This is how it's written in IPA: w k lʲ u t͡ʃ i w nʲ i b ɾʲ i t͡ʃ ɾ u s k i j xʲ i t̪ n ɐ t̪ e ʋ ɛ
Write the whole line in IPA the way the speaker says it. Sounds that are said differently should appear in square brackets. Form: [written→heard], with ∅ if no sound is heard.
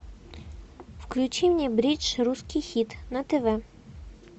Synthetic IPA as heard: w k lʲ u t͡ʃ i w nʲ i b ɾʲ i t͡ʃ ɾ u s k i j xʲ i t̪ n ɐ t̪ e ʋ ɛ